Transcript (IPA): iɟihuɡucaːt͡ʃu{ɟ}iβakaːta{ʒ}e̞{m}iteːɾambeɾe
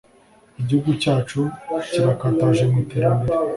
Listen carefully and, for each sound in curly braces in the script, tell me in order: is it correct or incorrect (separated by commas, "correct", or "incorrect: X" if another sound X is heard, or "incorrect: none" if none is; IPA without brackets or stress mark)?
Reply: incorrect: c, correct, correct